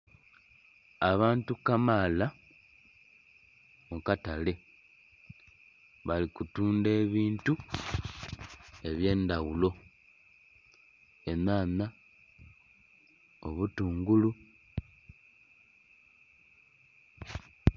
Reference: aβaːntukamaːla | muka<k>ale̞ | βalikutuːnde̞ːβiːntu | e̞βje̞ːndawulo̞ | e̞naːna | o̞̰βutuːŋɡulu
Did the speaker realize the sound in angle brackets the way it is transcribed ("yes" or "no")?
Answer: no